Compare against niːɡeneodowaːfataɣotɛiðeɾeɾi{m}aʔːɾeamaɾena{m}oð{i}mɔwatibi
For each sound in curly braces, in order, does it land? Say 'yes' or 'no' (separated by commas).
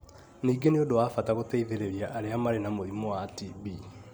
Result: no, yes, yes